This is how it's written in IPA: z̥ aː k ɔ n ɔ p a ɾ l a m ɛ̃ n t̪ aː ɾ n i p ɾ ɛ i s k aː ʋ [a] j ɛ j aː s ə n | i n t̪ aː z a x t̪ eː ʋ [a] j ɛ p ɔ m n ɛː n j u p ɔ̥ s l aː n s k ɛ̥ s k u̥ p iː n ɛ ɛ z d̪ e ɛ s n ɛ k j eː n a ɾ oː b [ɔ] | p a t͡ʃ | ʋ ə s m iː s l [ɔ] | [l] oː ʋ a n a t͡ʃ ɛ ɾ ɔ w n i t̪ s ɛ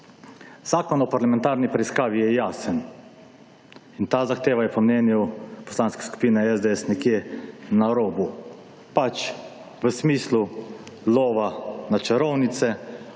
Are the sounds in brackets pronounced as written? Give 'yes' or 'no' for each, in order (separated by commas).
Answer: no, yes, no, no, yes